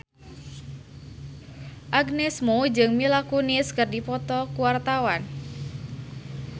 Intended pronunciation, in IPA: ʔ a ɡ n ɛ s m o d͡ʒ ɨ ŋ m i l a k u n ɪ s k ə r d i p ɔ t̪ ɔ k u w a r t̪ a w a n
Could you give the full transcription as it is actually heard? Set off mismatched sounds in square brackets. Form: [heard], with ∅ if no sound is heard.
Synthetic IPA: ʔ a ɡ n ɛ s m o d͡ʒ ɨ ŋ m i l a k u n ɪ s k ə r d i p ɔ t̪ ɔ k u w a r t̪ a w a n